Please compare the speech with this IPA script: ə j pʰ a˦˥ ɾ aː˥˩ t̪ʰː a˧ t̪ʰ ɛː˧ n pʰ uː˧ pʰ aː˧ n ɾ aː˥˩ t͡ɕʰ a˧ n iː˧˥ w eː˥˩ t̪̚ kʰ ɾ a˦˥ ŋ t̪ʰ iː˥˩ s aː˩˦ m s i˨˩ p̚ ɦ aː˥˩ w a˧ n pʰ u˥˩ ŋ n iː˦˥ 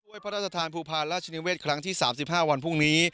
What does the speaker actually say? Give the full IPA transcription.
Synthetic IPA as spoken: ə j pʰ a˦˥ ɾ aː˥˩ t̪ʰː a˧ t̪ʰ aː˧ n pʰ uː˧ pʰ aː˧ n ɾ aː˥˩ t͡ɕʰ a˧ n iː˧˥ w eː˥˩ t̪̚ kʰ ɾ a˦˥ ŋ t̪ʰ iː˥˩ s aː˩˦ m s i˨˩ p̚ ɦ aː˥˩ w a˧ n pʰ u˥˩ ŋ n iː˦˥